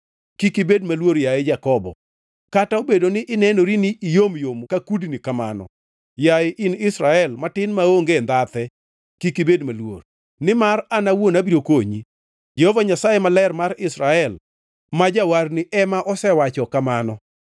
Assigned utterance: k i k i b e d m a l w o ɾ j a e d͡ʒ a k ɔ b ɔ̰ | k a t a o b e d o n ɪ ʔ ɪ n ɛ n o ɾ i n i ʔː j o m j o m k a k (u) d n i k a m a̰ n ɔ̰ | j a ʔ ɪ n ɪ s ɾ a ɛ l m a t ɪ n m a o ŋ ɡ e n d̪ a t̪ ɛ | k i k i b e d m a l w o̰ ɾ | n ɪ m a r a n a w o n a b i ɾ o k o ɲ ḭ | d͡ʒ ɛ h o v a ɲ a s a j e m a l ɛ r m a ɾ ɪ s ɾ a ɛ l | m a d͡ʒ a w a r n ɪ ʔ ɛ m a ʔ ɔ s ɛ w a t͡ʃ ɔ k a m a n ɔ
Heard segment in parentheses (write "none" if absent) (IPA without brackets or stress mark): u